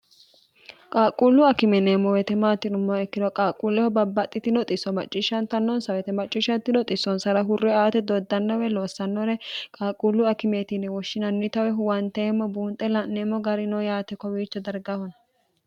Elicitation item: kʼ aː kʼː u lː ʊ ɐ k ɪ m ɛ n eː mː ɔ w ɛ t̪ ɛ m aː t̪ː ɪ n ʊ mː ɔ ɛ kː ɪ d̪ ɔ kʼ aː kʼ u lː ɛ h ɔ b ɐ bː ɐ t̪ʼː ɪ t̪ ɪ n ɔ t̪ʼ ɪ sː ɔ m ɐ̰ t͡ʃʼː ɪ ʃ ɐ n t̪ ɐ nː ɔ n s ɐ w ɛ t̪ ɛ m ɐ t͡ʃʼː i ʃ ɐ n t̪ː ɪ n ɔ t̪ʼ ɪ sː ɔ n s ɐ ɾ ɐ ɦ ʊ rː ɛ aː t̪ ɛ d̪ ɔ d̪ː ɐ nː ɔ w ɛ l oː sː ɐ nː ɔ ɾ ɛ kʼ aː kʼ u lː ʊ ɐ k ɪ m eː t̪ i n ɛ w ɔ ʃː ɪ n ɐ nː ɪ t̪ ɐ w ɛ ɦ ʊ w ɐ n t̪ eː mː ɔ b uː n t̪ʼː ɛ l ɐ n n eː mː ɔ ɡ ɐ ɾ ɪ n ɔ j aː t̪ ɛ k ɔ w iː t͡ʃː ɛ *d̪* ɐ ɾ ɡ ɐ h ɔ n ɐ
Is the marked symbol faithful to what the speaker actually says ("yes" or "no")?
yes